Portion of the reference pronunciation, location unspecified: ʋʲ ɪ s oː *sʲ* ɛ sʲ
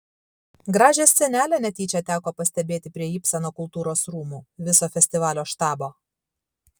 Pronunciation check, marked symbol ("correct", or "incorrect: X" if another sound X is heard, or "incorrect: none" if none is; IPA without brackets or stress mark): incorrect: fʲ